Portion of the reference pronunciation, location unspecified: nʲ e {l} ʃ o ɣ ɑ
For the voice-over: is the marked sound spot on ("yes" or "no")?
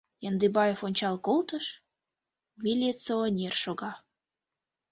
no